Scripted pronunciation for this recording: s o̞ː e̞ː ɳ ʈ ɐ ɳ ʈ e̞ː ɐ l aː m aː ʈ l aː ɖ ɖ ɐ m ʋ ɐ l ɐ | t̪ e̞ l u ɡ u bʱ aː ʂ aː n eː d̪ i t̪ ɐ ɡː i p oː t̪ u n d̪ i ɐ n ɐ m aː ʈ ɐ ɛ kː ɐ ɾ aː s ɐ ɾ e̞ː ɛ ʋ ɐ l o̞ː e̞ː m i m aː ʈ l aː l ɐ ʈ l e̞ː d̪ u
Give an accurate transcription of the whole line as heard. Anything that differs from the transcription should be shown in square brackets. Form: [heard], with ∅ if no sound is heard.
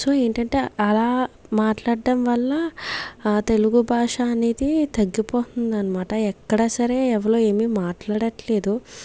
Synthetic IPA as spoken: s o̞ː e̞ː ɳ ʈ ɐ ɳ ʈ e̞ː ɐ l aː m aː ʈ l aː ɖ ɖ ɐ m ʋ ɐ [lː] ɐ | t̪ e̞ l u ɡ u bʱ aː ʂ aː n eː d̪ i t̪ ɐ ɡː i p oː t̪ u n d̪ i ɐ n ɐ m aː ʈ ɐ ɛ kː ɐ [ɽ] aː s ɐ ɾ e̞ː ɛ ʋ ɐ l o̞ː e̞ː m i m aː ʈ l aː [ɽ] ɐ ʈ l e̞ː d̪ u